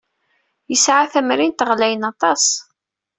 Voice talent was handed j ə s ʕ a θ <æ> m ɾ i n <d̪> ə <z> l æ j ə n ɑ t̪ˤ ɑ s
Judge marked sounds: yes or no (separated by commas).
yes, no, no